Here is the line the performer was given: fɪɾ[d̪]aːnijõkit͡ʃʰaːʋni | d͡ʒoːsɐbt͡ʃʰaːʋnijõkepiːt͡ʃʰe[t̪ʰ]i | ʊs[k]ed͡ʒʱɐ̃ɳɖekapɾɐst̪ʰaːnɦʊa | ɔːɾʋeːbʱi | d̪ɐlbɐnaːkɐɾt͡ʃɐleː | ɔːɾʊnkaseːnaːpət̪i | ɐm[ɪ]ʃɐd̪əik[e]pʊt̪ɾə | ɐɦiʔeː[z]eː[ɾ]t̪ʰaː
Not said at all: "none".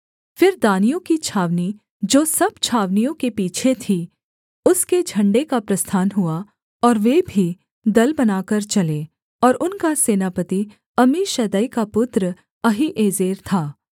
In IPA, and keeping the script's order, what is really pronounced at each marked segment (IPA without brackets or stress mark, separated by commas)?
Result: d̪, t̪ʰ, k, i, a, z, ɾ